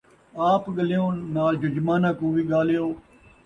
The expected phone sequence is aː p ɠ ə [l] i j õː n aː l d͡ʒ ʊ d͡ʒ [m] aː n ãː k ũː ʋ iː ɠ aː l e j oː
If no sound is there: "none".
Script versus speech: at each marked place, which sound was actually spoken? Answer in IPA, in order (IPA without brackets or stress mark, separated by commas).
l, m